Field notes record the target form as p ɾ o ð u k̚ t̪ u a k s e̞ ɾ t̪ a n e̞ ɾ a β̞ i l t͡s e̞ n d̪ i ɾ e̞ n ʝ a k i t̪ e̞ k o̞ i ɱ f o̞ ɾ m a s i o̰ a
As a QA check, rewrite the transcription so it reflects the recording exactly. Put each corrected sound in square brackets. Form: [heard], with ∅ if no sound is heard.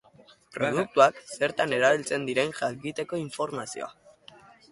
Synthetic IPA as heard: p ɾ o ð u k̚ t̪ u a k s e̞ ɾ t̪ a n e̞ ɾ a β̞ i l t͡s e̞ n d̪ i ɾ e̞ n ʝ a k i t̪ e̞ k o̞ i ɱ f o̞ ɾ m a s i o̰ a